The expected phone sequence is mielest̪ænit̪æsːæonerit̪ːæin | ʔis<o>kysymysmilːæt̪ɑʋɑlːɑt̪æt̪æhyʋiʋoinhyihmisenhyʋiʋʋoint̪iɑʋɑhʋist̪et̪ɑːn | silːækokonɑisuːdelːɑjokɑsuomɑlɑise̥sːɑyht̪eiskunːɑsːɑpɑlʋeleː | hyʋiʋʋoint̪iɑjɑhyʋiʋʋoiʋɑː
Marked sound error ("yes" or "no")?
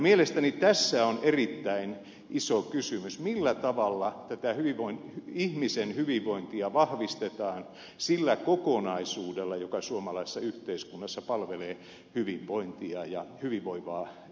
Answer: no